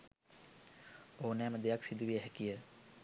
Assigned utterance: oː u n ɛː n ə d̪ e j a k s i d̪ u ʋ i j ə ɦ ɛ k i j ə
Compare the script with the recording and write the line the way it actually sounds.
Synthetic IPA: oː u n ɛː m ə d̪ e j a k s i d̪ u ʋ i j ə ɦ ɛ k i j ə